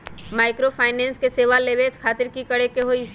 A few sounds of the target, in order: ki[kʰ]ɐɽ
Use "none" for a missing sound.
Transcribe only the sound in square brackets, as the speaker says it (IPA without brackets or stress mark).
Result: k